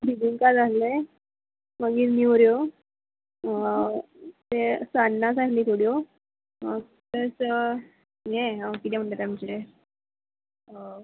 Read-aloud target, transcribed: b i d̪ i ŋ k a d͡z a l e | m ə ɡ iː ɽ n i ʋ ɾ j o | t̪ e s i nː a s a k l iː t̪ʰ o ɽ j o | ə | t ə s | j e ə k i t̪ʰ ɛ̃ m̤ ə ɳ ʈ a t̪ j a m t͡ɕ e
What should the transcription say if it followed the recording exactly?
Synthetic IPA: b i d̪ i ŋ k a d͡z a l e | m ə ɡ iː ɾ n i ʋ ɾ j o | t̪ e s a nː a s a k l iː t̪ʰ o ɽ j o | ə | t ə s | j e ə k i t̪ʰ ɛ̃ m̤ ə ɳ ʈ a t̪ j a m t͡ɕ e